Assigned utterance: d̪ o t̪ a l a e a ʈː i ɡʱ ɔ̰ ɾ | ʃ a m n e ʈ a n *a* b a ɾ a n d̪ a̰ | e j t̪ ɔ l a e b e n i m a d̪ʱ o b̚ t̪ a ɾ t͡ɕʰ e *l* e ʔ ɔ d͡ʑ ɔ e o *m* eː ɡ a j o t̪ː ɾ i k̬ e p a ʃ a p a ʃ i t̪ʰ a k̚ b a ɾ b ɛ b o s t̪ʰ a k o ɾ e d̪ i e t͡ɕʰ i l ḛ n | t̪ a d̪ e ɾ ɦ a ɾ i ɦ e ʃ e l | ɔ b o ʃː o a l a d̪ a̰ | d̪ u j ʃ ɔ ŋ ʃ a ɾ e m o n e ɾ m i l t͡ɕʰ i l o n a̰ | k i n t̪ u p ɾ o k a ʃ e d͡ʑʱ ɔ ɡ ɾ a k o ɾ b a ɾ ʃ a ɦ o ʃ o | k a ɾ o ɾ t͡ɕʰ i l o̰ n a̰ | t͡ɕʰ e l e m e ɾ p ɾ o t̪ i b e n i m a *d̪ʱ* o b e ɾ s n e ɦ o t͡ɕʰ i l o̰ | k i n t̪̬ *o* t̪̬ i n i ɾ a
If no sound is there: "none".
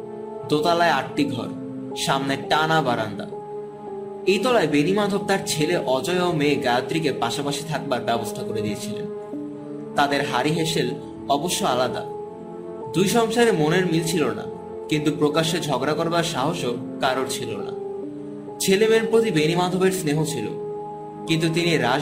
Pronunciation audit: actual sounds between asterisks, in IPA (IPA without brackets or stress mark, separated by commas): a, l, m, d̪ʱ, u